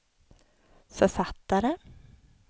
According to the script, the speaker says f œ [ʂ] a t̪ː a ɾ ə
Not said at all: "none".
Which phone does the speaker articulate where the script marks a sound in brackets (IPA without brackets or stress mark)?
f